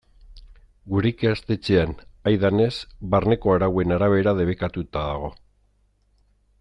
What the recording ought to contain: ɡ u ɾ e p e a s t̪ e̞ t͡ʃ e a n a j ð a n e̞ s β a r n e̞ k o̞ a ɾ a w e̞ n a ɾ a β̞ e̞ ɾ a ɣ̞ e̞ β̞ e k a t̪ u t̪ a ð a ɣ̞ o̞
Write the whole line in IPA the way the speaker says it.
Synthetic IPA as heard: ɡ u ɾ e k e a s t̪ e̞ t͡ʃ e a n a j ð a n e̞ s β a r n e̞ k o̞ a ɾ a w e̞ n a ɾ a β̞ e̞ ɾ a ð̞ e̞ β̞ e k a t̪ u t̪ a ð a ɣ̞ o̞